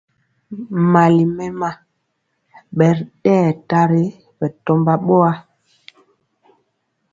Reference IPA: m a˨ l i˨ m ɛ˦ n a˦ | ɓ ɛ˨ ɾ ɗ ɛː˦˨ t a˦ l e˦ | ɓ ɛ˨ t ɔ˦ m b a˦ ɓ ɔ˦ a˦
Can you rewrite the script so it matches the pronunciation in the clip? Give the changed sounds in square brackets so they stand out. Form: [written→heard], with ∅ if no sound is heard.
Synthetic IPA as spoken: m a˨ l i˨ m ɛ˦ [n→m] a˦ | ɓ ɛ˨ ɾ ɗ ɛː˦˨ t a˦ [l→ɾ] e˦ | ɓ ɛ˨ t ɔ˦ m b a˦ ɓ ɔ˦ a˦